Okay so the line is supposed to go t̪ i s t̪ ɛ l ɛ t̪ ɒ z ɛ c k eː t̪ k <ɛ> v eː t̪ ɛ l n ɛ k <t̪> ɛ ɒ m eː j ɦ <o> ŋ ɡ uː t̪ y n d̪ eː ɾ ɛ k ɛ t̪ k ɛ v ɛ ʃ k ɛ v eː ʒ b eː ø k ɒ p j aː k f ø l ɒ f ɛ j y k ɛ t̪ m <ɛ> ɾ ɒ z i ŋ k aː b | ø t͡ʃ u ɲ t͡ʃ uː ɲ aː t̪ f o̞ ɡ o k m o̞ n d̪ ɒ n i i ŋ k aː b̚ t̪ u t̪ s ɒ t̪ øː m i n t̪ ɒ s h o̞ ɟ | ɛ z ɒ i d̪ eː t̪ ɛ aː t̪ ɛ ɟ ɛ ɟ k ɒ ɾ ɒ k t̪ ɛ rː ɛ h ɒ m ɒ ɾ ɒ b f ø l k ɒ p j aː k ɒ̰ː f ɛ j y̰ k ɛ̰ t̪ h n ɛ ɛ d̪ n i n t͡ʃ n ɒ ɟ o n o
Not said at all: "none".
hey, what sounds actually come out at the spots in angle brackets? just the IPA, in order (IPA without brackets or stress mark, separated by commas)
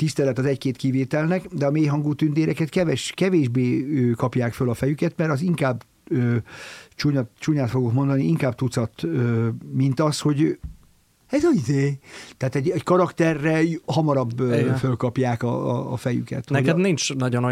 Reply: i, d̪, ɒ, ɛ